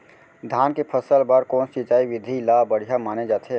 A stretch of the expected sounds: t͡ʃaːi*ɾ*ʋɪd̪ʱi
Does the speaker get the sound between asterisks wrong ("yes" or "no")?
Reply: yes